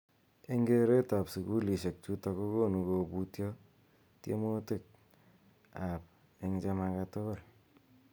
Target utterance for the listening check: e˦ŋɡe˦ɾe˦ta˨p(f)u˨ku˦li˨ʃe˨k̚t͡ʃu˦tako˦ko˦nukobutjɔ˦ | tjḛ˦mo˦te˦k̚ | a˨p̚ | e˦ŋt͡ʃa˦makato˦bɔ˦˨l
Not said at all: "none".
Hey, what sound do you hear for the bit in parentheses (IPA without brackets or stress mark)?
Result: s